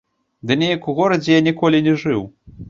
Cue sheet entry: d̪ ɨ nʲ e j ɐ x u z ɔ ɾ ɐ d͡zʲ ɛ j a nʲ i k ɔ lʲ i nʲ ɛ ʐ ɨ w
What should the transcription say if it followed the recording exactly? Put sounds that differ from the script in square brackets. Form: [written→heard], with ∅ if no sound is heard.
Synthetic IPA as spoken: d̪ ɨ nʲ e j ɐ [x→k] u [z→ɣ] ɔ ɾ ɐ d͡zʲ ɛ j a nʲ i k ɔ lʲ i nʲ ɛ ʐ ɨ w